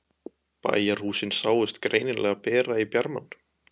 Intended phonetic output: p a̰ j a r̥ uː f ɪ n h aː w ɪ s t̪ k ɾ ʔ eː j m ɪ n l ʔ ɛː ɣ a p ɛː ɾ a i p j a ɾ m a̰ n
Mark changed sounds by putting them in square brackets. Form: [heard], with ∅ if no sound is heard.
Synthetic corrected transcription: p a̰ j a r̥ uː [s] ɪ n [s] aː w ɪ s t̪ k ɾ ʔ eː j [n] ɪ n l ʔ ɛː ɣ a p ɛː ɾ a i p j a ɾ m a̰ n